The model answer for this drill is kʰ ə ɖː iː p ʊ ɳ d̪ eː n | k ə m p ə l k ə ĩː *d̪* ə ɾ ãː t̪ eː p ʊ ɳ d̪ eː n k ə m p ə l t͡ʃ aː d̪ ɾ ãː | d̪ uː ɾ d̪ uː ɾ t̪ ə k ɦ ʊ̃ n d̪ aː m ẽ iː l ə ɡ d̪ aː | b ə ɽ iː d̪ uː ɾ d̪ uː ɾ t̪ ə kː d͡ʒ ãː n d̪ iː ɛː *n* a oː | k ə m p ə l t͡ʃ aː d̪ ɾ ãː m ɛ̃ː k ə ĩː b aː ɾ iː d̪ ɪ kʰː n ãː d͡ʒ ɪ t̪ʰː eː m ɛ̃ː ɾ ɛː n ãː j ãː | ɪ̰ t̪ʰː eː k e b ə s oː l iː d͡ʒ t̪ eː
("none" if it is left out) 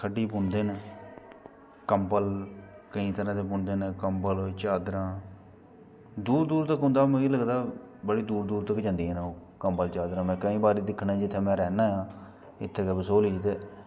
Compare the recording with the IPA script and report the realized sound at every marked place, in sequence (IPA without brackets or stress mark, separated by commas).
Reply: t̪, n